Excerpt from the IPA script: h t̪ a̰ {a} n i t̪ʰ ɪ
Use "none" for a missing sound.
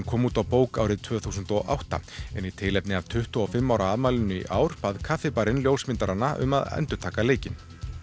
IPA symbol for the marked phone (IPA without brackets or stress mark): ɛ